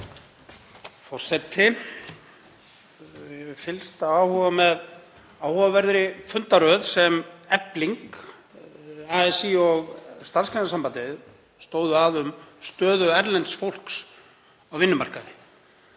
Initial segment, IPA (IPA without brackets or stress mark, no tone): f